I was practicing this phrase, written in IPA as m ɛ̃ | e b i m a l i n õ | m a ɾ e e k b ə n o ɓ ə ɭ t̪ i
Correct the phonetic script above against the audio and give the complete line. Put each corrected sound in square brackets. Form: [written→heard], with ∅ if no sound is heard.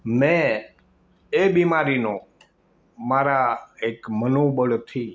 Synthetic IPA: m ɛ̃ | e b i m a [l→ɾ] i n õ | m a ɾ [e→a] e k [b→m] ə n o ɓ ə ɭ [t̪→t̪ʰ] i